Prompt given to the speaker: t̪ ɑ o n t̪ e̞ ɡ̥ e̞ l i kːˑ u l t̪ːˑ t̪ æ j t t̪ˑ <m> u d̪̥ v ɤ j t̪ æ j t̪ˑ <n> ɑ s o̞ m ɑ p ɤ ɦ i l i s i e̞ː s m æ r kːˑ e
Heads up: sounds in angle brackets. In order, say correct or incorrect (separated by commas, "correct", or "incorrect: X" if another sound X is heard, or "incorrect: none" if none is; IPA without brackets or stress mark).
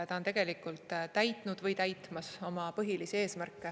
incorrect: n, incorrect: m